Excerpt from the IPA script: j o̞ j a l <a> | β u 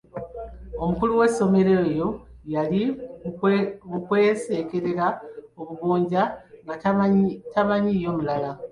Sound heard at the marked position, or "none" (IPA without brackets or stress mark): i